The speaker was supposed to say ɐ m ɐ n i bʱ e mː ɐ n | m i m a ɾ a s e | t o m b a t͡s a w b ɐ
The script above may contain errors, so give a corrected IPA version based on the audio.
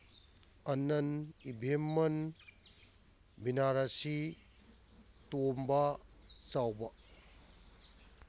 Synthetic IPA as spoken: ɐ n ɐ n i bʱ e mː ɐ n | b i n a ɾ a s i | t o m b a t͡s a w b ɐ